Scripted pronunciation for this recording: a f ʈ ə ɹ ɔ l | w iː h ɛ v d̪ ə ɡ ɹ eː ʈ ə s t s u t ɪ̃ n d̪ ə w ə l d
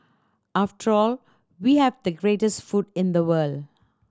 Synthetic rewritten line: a f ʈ ə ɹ ɔ l | w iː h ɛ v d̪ ə ɡ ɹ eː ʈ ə s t f u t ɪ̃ n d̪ ə w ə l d